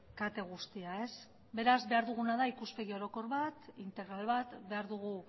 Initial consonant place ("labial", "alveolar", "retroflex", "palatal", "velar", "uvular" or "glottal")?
velar